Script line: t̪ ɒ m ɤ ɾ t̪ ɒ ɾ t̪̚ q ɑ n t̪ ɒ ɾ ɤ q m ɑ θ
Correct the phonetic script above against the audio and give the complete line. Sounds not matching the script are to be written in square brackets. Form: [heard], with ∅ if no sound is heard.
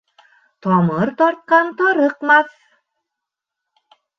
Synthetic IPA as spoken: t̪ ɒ m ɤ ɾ t̪ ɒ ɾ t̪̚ q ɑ n t̪ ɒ ɾ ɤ q m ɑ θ